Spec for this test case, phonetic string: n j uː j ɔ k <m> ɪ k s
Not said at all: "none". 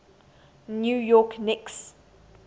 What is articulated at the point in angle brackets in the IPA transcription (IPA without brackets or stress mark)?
n